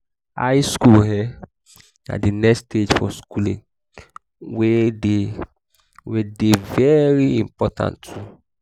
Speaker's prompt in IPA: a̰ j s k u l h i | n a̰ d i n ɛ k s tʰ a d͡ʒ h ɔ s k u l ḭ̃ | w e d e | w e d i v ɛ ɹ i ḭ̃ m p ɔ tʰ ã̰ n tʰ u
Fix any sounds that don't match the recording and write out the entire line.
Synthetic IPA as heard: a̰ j s k u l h ɛ | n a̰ d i n ɛ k s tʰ e d͡ʒ f ɔ s k u l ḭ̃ | w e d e | w e d e v ɛ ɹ i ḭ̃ m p ɔ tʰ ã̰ n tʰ u